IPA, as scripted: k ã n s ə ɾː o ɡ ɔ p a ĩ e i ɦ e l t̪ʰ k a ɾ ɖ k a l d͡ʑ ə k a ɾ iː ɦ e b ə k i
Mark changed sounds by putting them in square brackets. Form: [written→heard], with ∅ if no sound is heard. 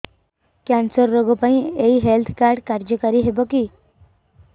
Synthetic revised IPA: k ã n s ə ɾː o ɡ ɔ p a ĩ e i ɦ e l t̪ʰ k a ɾ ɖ k a [l→ɾ] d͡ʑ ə k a ɾ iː ɦ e b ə k i